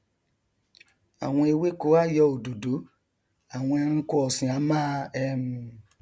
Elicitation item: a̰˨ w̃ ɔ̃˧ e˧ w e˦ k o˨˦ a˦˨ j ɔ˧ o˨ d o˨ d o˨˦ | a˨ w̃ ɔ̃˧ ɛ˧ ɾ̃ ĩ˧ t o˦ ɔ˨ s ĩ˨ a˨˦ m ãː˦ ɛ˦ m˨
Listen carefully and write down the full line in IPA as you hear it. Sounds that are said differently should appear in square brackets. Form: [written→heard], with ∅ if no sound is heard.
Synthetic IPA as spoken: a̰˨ w̃ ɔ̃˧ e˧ w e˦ k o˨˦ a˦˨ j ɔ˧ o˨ d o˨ d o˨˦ | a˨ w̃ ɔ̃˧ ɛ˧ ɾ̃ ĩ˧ [t→k] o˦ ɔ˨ s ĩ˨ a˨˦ m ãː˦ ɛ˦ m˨